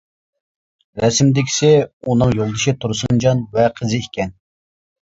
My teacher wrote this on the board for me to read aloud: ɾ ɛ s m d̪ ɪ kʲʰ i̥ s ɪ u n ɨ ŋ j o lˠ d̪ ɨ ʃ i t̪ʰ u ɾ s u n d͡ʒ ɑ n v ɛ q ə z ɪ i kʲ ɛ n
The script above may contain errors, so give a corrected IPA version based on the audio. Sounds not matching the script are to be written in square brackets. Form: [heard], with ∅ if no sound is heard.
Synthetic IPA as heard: ɾ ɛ s m d̪ ɪ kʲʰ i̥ s ɪ u n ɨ ŋ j o lˠ d̪ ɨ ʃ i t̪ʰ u ɾ s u n d͡ʒ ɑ n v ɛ [qʰ] ə z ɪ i kʲ ɛ n